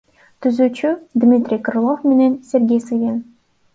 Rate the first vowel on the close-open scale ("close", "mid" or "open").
close